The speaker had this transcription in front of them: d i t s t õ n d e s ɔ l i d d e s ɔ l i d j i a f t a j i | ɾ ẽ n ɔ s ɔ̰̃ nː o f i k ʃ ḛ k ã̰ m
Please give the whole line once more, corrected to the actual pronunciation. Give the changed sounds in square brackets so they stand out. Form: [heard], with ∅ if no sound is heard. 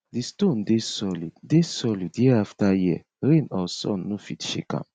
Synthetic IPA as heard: d i [∅] s t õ n d e s ɔ l i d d e s ɔ l i d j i a f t a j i | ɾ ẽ n ɔ s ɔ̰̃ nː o f i [t] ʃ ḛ k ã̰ m